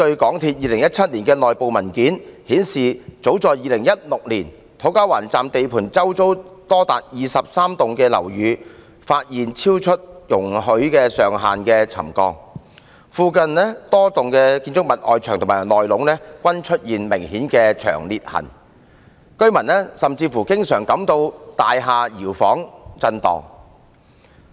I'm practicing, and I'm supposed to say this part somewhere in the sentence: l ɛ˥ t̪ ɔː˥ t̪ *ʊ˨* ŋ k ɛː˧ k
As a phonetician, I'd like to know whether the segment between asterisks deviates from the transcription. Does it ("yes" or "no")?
no